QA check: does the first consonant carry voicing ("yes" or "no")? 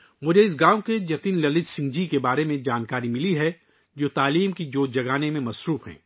yes